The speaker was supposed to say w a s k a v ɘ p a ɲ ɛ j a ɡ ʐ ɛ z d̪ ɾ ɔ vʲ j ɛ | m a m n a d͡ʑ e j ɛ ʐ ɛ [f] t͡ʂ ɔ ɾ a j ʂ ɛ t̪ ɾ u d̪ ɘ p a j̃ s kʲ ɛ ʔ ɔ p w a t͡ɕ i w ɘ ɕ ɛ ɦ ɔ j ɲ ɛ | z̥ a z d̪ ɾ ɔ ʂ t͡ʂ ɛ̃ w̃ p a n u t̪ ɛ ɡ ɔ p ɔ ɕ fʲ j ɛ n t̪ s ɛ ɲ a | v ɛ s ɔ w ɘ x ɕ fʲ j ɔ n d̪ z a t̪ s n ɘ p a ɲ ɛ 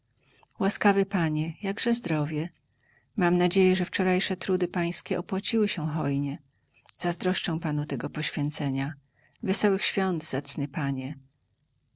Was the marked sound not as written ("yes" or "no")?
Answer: no